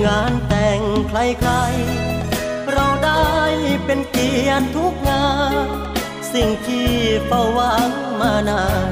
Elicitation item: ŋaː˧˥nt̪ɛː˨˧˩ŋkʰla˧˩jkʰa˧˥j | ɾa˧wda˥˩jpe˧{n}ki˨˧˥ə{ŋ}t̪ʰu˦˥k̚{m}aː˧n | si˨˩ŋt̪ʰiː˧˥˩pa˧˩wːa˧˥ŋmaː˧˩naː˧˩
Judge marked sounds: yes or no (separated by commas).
yes, no, no